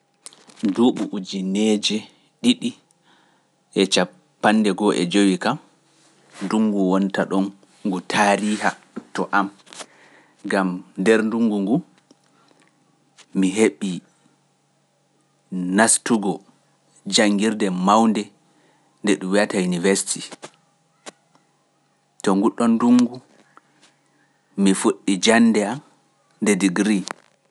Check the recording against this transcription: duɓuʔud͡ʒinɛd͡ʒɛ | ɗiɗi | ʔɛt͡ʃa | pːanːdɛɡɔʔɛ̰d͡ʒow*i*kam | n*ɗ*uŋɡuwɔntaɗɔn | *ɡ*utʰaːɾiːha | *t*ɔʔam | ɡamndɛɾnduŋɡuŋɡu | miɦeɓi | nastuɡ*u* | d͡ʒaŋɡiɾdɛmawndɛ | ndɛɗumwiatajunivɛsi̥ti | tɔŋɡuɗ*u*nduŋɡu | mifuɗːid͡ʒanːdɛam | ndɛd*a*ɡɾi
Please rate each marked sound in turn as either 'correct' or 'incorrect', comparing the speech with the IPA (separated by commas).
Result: correct, incorrect, correct, correct, incorrect, incorrect, incorrect